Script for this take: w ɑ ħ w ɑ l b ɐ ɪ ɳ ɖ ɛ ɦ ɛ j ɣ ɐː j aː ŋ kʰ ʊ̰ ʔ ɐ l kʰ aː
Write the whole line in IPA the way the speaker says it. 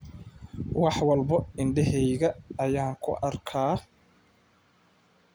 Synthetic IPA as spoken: w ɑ ħ w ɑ l b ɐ ɪ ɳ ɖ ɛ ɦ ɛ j ɣ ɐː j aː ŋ kʰ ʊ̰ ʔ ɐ r kʰ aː